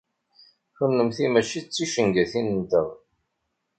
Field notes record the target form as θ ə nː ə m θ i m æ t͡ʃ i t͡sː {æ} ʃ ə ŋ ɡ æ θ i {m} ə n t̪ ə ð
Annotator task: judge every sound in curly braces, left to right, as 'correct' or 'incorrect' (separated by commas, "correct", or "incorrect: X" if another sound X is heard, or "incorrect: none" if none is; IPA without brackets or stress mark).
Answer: incorrect: i, incorrect: n